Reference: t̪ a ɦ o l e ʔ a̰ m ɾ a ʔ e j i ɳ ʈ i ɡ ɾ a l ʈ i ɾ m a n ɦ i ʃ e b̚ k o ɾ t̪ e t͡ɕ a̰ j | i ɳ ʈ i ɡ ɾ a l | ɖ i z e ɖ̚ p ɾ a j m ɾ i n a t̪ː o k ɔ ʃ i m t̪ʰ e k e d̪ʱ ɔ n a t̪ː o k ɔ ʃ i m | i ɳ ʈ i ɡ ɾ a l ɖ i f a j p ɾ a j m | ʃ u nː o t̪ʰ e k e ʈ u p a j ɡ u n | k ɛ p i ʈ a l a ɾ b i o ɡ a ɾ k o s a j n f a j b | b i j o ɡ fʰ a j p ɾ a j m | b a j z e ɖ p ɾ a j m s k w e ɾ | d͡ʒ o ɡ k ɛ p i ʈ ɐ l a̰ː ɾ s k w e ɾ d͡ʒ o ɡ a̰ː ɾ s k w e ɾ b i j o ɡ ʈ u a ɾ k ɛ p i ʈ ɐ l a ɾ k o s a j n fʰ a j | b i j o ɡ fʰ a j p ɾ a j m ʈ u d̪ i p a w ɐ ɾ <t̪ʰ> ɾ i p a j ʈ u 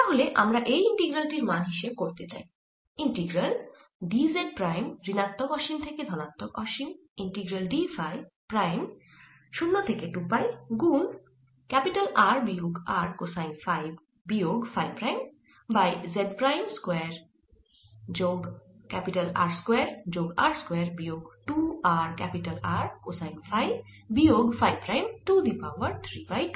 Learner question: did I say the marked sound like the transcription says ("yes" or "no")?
yes